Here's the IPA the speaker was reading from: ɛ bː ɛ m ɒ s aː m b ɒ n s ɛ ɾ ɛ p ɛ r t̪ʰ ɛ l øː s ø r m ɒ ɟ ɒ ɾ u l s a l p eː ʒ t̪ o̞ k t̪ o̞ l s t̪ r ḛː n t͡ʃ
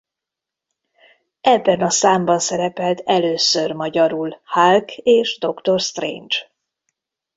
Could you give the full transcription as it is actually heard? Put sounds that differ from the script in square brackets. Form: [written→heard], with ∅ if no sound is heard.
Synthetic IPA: ɛ bː ɛ [m→n] ɒ s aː m b ɒ n s ɛ ɾ ɛ p ɛ [r→l] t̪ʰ ɛ l øː s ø r m ɒ ɟ ɒ ɾ u l [s→h] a l [p→k] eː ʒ [t̪→d̪] o̞ k t̪ o̞ [l→r] s t̪ r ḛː n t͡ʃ